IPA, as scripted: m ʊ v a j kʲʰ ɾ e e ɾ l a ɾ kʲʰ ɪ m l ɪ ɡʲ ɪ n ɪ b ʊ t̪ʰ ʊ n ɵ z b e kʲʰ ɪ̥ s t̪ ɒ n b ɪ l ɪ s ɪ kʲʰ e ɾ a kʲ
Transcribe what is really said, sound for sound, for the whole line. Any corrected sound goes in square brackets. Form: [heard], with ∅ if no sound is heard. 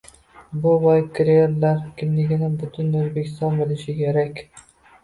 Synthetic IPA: [b] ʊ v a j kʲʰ ɾ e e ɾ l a ɾ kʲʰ ɪ m l ɪ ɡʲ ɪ n ɪ b ʊ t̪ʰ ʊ n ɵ z b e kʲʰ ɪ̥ s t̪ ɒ n b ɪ l ɪ [ʃ] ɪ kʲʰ e ɾ a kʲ